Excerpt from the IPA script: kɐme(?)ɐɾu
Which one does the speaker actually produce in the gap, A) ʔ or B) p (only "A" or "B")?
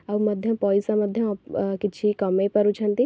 B